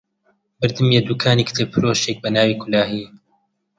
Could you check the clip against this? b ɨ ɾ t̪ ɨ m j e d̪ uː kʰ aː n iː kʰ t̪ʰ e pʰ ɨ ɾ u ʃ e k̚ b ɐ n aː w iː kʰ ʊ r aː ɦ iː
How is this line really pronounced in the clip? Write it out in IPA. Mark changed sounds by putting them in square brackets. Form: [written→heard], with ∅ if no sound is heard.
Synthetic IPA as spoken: b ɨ ɾ [t̪→d̪] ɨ m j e d̪ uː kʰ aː n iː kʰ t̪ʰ e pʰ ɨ ɾ [u→o] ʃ e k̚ b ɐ n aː w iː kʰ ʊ [r→l] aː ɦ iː